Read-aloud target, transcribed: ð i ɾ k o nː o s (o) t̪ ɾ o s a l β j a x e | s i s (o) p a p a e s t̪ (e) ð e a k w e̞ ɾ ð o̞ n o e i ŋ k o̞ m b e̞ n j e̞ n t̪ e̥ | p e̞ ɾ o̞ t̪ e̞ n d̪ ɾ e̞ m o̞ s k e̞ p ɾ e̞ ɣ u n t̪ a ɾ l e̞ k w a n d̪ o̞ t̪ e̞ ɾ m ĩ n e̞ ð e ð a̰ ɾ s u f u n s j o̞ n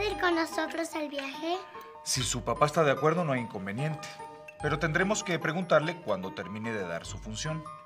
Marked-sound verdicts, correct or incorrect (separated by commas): correct, incorrect, incorrect